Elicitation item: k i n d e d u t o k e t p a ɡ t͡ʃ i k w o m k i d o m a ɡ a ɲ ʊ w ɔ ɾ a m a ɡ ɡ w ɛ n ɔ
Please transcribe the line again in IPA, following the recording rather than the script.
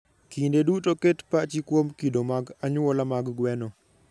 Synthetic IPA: k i n d e d u t o k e t p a t͡ʃ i k w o m k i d o m a ɡ a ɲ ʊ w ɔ l a m a ɡ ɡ w ɛ n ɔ